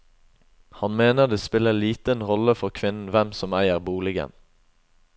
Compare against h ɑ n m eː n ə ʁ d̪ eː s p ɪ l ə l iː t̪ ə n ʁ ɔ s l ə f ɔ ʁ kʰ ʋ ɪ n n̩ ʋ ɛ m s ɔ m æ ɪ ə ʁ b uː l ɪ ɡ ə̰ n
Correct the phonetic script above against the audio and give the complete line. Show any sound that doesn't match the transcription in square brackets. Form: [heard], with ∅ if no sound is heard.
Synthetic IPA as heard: h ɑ n m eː n ə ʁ d̪ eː s p ɪ l ə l iː t̪ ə n ʁ ɔ [∅] l ə f ɔ ʁ kʰ ʋ ɪ n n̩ ʋ ɛ m s ɔ m æ ɪ ə ʁ b uː l ɪ ɡ ə̰ n